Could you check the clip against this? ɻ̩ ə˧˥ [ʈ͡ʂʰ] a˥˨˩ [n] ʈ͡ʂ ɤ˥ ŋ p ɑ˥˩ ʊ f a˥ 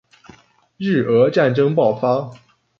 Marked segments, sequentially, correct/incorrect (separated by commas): incorrect, correct